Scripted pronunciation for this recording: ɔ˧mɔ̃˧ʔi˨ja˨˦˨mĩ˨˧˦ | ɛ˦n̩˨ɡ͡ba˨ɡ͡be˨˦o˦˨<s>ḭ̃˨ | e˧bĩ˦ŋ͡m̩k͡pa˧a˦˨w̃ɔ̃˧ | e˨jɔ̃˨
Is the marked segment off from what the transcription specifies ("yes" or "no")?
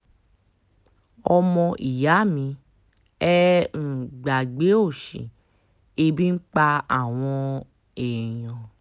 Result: yes